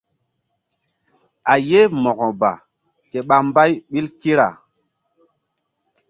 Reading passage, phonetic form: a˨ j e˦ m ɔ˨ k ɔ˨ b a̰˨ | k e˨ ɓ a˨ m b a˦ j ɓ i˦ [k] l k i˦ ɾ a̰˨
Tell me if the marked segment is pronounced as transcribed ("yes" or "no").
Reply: no